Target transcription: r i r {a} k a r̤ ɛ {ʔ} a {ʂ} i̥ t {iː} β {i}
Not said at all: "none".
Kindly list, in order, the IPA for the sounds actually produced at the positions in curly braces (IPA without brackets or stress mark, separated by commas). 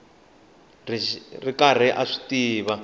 i, ʔ, ʂ, iː, a